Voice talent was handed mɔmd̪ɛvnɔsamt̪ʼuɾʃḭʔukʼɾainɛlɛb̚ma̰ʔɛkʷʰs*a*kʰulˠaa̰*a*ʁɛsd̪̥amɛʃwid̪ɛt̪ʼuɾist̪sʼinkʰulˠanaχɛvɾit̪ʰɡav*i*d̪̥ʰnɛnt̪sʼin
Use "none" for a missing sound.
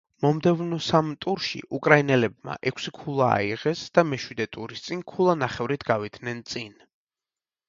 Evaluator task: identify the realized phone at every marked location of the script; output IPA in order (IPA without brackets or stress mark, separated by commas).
i, i, i